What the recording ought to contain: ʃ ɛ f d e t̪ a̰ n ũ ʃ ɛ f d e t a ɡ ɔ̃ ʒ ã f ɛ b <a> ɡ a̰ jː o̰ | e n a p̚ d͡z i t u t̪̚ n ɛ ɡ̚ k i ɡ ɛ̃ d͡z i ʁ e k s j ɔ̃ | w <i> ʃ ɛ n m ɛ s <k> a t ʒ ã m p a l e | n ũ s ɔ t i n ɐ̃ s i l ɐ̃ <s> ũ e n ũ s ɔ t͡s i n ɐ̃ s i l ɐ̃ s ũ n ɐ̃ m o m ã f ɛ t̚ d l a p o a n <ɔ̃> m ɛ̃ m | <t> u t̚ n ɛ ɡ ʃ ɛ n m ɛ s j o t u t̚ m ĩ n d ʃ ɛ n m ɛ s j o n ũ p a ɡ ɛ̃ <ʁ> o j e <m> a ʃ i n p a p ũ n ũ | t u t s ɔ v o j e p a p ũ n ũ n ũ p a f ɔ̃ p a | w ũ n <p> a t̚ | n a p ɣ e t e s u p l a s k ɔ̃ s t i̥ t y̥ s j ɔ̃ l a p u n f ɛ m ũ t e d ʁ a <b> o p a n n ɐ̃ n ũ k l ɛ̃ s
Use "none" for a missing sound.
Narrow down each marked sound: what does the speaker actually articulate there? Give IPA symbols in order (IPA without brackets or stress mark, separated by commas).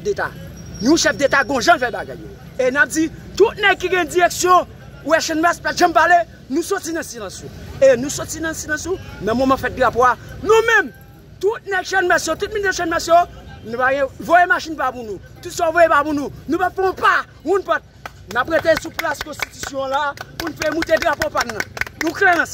a, ɛ, p, s, ũ, t, v, m, p, p